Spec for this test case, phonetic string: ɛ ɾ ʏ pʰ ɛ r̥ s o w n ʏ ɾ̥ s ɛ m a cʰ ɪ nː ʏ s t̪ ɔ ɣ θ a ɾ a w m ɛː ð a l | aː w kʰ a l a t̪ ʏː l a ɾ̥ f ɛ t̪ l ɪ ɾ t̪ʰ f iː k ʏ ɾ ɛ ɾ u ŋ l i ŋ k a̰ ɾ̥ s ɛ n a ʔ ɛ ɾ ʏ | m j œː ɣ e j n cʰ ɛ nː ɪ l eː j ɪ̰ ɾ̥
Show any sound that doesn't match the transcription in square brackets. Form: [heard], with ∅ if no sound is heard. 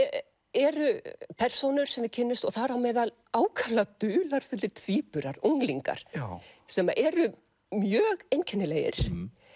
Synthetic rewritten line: ɛ ɾ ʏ pʰ ɛ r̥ s o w n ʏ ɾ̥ s ɛ m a cʰ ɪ nː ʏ s t̪ ɔ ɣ θ a ɾ a w m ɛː ð a l | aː w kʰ a l a t̪ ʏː l a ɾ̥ f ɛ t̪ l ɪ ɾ t̪ʰ [v] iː [p] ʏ ɾ [a] ɾ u ŋ l i ŋ k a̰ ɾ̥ s ɛ [m] a ʔ ɛ ɾ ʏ | m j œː ɣ e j n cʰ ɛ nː ɪ l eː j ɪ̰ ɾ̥